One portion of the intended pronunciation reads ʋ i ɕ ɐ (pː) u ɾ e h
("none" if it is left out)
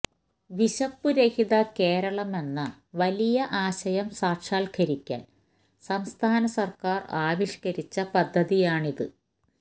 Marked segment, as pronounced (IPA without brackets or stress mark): pː